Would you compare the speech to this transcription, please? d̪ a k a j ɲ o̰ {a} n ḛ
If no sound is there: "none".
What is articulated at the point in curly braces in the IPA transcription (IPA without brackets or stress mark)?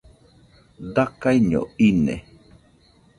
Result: i